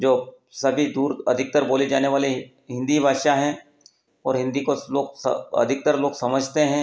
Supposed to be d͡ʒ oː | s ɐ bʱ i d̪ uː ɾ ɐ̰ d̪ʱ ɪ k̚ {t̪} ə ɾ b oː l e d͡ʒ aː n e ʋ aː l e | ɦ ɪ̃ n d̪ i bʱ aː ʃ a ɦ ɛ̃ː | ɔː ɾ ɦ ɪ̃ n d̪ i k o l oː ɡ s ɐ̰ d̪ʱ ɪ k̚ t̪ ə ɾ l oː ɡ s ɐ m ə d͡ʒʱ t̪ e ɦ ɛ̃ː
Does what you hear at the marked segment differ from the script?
no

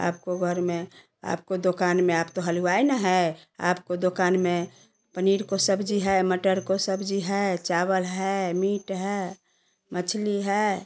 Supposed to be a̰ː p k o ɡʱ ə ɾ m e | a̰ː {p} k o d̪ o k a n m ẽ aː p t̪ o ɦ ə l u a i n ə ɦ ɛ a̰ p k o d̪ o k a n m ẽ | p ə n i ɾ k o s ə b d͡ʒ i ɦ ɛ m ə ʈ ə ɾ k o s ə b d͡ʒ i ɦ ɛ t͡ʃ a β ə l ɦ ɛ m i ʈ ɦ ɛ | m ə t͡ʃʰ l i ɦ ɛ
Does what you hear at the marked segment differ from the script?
no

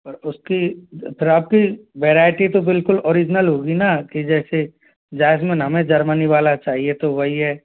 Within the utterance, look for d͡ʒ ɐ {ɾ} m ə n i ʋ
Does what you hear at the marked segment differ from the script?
no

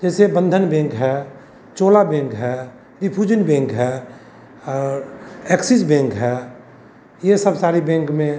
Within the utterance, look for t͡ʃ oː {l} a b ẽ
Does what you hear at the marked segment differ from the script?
no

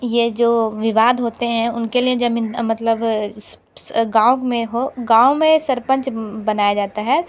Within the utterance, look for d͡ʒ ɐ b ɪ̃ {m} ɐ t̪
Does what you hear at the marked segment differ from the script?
no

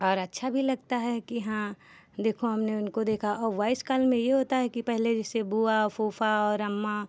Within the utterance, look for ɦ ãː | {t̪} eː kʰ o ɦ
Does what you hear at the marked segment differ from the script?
yes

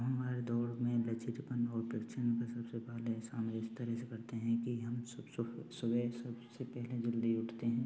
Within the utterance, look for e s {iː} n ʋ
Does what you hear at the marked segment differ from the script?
yes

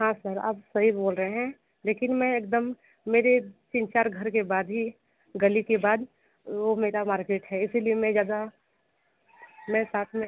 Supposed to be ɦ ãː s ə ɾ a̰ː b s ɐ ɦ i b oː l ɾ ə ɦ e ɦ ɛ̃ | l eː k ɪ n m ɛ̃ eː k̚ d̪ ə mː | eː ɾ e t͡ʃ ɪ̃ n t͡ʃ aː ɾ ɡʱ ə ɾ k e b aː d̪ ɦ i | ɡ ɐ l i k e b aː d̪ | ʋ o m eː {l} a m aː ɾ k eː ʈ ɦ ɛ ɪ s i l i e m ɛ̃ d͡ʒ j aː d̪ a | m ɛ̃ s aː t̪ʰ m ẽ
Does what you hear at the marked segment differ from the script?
yes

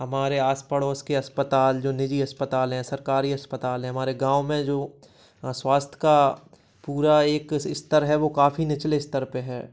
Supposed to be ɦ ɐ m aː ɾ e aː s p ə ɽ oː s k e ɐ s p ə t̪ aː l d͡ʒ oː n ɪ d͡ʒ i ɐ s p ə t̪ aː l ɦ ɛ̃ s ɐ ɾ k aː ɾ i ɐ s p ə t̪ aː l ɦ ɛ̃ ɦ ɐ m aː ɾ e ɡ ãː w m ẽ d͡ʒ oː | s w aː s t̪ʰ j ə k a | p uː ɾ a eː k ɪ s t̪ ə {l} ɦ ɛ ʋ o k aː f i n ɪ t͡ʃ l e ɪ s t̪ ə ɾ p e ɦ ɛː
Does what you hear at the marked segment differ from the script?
yes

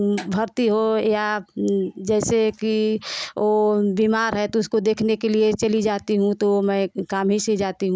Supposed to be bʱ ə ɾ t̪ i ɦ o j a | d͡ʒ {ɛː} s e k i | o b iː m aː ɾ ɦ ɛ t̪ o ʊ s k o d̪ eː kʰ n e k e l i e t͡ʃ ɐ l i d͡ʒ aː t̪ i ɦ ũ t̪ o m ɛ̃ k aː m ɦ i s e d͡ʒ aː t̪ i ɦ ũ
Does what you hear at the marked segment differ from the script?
no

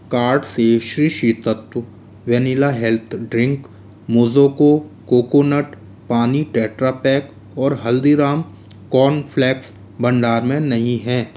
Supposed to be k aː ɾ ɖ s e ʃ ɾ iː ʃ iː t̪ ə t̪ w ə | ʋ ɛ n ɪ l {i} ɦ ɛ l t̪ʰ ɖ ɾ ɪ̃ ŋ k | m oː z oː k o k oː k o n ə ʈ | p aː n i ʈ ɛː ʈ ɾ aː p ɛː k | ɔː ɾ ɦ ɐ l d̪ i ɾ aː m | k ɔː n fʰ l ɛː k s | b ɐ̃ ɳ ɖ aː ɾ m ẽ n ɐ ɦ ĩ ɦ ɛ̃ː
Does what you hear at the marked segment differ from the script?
yes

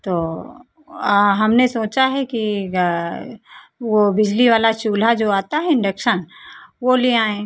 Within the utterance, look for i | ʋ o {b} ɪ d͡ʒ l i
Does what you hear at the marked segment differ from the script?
no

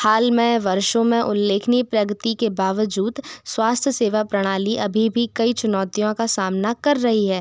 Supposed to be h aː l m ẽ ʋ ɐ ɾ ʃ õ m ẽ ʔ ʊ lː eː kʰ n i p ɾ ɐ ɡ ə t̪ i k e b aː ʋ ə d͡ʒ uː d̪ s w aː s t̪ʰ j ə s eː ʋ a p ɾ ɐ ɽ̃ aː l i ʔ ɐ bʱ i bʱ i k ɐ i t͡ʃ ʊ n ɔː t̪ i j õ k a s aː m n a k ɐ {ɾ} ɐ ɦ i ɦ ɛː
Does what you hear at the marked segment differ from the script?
yes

